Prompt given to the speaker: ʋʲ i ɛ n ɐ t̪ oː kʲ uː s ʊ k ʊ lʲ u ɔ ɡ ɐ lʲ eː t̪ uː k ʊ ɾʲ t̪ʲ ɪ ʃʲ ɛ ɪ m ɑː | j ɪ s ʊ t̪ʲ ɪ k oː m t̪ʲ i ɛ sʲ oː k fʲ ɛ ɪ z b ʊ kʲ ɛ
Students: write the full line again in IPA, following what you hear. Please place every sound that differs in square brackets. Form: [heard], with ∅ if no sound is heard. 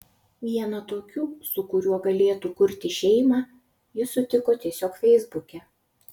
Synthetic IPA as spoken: ʋʲ i ɛ n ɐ t̪ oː kʲ uː s ʊ k ʊ [ɾʲ] u ɔ ɡ ɐ lʲ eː t̪ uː k ʊ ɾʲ t̪ʲ ɪ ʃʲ ɛ ɪ m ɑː | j ɪ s ʊ t̪ʲ ɪ k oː [∅] t̪ʲ i ɛ sʲ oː k fʲ ɛ ɪ z b ʊ kʲ ɛ